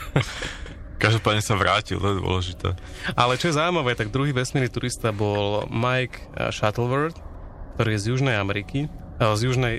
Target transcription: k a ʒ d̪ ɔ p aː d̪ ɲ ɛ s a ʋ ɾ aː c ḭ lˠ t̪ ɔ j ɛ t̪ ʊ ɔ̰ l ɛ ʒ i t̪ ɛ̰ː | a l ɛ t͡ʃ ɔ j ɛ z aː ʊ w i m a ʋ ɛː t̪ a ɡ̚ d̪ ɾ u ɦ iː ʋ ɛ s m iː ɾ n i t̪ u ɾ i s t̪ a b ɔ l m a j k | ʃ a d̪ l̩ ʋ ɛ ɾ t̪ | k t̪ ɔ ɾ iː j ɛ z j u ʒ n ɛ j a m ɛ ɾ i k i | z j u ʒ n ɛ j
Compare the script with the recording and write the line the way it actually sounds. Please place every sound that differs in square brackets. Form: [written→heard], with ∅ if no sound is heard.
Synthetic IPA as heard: k a ʒ d̪ ɔ p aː d̪ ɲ ɛ s a ʋ ɾ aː c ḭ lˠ t̪ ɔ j ɛ [t̪→d̪] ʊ ɔ̰ l ɛ ʒ i t̪ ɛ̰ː | a l ɛ t͡ʃ ɔ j ɛ z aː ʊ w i m a ʋ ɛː t̪ a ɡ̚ d̪ ɾ u ɦ iː ʋ ɛ s m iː ɾ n i t̪ u ɾ i s t̪ a b ɔ l m a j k | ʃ a [d̪→t̪] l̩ ʋ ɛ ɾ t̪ | k t̪ ɔ ɾ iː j ɛ z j u ʒ n ɛ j a m ɛ ɾ i k i | z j u ʒ n ɛ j